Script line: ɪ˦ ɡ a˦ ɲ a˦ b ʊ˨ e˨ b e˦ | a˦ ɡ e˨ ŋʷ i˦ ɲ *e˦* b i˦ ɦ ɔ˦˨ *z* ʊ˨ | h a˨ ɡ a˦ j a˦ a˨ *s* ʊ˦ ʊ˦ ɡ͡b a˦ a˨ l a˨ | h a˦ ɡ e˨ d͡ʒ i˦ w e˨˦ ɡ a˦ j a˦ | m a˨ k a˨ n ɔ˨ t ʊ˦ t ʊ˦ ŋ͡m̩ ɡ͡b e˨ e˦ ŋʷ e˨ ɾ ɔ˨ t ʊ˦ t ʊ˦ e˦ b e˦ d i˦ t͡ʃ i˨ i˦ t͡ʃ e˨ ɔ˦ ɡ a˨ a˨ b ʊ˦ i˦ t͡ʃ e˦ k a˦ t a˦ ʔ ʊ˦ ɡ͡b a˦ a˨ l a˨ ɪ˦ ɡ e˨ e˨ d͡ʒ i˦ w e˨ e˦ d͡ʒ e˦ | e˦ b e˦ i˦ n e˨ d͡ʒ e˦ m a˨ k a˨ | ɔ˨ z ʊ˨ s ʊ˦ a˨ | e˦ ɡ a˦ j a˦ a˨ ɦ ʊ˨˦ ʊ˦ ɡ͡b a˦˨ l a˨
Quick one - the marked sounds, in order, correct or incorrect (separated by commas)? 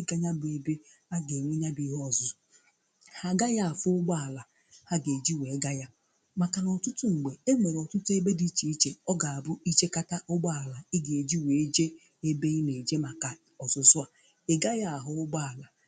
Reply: incorrect, correct, incorrect